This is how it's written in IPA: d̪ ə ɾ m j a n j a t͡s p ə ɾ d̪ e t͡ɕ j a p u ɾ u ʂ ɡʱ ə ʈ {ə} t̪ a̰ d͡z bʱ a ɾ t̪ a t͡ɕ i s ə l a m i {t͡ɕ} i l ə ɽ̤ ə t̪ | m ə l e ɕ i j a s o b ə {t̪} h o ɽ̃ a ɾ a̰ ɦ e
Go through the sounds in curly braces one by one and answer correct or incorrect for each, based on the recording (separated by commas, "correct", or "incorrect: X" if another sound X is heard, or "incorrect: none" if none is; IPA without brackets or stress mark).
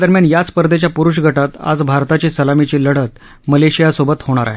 incorrect: a, correct, correct